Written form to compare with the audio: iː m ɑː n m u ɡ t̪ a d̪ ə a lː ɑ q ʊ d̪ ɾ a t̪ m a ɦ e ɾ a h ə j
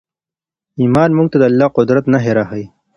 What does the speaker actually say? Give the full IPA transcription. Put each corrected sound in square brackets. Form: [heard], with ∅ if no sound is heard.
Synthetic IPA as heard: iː m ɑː n m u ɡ t̪ a d̪ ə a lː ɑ q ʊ d̪ ɾ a t̪ [n] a ɦ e ɾ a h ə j